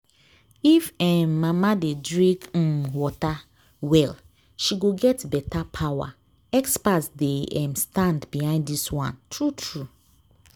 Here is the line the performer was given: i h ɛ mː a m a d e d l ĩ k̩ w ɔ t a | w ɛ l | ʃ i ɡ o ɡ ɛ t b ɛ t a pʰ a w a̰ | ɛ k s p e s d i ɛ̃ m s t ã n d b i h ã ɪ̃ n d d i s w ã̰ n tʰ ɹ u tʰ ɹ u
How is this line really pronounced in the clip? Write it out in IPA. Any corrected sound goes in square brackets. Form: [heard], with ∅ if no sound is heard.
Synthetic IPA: i [f] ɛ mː a m a d e d [ɹ] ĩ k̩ w ɔ t a | w ɛ l | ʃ i ɡ o ɡ ɛ t b ɛ t a pʰ a w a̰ | ɛ k s p [a] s d [e] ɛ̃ m s t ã n d b i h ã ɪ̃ n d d i s w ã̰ n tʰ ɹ u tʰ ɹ u